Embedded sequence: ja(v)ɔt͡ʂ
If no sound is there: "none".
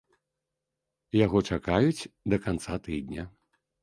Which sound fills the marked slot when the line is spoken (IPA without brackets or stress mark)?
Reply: ɣ